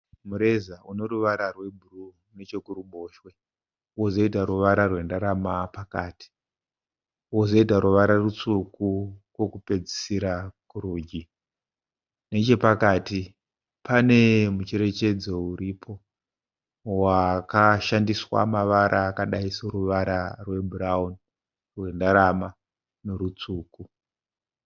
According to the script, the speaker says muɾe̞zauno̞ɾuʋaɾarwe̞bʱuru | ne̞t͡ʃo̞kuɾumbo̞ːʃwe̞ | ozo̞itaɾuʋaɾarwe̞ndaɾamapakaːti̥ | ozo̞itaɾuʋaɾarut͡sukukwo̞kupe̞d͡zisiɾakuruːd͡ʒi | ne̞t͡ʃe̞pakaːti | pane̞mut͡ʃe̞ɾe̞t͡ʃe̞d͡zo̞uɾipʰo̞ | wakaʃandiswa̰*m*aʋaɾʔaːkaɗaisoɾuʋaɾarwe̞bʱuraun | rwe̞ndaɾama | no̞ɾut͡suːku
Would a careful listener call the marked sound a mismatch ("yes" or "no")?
no